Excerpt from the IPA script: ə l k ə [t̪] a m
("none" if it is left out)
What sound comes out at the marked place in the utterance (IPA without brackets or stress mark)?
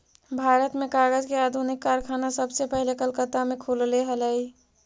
t̪